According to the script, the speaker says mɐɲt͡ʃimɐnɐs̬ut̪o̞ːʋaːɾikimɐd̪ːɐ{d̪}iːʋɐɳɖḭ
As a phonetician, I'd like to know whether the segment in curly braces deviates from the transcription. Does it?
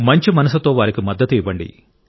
yes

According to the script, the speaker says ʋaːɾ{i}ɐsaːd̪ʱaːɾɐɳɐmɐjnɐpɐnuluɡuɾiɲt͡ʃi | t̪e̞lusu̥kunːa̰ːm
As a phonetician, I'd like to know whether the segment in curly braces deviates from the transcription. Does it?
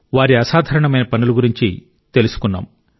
no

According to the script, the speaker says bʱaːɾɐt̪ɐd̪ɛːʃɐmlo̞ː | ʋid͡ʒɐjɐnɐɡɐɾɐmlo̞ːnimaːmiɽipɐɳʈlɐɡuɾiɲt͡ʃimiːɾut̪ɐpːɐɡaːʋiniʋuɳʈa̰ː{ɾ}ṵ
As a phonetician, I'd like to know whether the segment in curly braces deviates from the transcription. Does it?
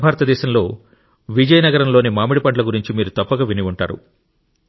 no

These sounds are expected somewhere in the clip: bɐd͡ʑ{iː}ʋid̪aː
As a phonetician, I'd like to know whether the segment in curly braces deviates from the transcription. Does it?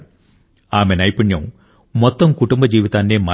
no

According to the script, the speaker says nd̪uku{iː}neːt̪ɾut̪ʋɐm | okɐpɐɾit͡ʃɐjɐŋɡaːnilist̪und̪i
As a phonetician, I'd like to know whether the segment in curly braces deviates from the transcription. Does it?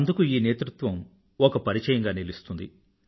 no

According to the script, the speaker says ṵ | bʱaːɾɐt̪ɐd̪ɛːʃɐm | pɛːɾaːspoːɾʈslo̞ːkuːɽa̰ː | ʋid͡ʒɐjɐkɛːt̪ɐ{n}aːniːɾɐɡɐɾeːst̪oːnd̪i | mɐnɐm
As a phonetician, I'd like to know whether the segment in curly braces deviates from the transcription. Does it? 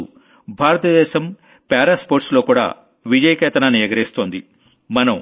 no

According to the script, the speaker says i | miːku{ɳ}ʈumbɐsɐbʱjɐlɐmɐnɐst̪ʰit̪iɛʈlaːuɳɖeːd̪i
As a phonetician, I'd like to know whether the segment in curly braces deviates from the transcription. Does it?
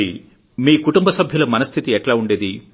yes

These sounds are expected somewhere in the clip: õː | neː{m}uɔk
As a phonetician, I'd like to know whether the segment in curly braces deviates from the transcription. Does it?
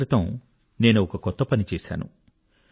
yes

